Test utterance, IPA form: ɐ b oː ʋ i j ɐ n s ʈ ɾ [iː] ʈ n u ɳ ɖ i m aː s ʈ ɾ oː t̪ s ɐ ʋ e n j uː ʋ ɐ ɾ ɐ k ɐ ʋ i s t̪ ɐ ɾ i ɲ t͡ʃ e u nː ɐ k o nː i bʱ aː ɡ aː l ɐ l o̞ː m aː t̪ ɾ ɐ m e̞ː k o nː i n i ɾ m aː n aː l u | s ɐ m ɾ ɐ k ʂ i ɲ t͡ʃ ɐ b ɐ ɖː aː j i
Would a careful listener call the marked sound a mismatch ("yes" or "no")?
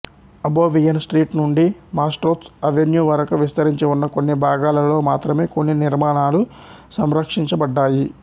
no